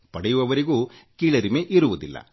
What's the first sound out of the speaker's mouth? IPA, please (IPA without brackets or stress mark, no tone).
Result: p